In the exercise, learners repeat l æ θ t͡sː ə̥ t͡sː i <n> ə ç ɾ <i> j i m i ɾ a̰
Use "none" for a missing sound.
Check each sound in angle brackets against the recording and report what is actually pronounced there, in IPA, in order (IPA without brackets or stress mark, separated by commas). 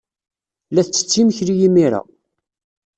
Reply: m, i